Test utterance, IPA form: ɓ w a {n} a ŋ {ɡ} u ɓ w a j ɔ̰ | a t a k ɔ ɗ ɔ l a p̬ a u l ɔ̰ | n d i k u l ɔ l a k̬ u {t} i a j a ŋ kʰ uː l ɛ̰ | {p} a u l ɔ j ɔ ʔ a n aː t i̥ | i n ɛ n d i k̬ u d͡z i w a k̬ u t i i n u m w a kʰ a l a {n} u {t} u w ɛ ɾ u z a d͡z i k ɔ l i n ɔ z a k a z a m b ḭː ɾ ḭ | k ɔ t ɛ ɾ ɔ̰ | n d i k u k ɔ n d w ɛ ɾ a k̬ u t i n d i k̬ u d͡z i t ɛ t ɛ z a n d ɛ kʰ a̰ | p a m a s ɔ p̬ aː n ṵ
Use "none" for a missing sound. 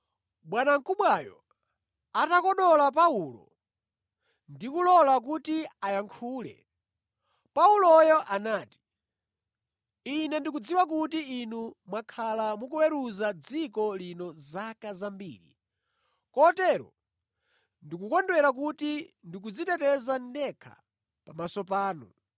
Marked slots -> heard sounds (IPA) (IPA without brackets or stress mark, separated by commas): n, k, t, p, m, k